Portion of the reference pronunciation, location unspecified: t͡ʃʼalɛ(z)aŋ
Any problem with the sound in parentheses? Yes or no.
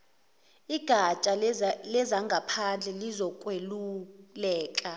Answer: no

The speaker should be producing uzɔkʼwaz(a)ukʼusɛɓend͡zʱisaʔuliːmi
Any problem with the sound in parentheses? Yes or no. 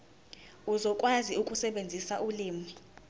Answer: yes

